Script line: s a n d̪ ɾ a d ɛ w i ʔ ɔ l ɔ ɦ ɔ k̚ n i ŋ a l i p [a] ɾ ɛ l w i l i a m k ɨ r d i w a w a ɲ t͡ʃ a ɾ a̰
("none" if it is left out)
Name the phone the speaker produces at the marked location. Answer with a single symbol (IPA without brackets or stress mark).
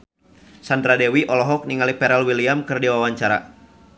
ɛ